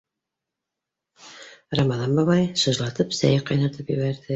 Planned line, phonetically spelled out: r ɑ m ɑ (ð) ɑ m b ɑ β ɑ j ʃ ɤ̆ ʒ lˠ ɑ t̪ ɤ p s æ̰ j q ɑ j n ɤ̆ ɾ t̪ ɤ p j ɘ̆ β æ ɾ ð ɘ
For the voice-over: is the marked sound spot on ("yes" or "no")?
yes